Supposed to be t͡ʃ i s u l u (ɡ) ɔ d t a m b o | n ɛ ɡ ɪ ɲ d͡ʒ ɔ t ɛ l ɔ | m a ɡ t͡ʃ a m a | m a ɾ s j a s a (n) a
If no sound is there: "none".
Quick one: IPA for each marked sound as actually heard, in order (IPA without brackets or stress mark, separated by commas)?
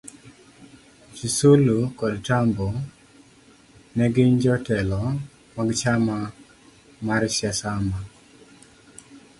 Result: k, m